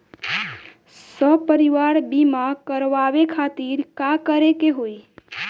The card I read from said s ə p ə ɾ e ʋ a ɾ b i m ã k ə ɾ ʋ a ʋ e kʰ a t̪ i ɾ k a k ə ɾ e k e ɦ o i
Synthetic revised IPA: s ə p ə ɾ i ʋ a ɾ b i m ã k ə ɾ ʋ a ʋ e kʰ a t̪ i ɾ k a k ə ɾ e k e ɦ o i

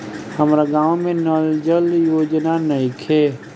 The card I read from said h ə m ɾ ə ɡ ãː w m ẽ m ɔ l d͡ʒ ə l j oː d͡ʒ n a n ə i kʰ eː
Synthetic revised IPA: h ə m ɾ a ɡ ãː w m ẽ n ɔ l d͡ʒ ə l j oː d͡ʒ n a n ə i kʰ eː

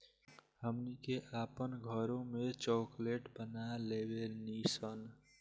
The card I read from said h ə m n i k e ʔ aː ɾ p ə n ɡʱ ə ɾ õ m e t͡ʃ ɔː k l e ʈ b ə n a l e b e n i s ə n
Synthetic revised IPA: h ə m n i k e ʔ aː p ə n ɡʱ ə ɾ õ m e t͡ʃ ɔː k l e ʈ b ə n a l e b e n i s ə n

